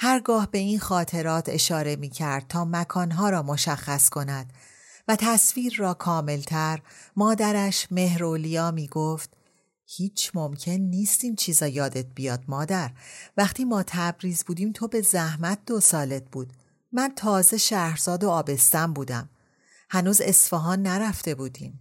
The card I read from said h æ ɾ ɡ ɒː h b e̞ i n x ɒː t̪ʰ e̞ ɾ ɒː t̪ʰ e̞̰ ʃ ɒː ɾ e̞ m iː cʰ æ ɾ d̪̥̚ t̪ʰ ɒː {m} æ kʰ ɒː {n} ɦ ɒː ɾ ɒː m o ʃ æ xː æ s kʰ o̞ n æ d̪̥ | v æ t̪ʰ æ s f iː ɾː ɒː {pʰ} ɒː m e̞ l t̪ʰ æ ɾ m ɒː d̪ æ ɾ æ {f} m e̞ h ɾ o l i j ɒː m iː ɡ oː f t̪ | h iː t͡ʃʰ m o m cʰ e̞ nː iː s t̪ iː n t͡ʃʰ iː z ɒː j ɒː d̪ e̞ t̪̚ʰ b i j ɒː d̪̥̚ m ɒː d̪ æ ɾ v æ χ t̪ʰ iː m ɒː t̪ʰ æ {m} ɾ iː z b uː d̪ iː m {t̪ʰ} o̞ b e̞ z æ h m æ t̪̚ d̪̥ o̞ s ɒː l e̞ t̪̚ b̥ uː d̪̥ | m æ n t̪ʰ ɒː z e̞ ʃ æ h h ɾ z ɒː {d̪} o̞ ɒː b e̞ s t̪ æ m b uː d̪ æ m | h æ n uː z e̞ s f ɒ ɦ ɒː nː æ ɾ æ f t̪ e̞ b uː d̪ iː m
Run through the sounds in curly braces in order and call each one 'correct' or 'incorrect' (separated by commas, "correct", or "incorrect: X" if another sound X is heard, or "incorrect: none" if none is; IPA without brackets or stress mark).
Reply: correct, correct, incorrect: kʰ, incorrect: ʃ, incorrect: b, correct, correct